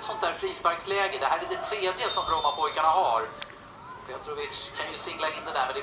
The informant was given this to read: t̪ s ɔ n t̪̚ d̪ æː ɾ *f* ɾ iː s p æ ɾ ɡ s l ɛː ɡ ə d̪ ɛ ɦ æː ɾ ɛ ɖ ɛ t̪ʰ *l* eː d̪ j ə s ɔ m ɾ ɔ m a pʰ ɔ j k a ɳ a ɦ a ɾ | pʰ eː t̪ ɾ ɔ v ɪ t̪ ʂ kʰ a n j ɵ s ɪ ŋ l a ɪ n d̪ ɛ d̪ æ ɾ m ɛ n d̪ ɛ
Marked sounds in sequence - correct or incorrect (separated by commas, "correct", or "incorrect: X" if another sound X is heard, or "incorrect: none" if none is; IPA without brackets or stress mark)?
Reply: correct, incorrect: ɾ